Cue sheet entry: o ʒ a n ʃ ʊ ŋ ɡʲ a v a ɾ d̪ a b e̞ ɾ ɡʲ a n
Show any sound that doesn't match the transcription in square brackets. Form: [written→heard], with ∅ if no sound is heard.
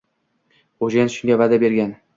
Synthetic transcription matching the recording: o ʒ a n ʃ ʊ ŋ ɡʲ a v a [ɾ→∅] d̪ a b e̞ ɾ ɡʲ a n